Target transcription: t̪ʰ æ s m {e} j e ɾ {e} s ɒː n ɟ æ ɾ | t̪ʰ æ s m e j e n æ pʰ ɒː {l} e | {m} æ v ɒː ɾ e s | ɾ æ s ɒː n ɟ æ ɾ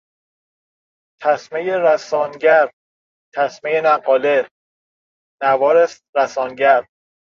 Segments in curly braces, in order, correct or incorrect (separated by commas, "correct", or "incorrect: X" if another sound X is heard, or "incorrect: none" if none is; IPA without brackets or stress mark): correct, incorrect: æ, correct, incorrect: n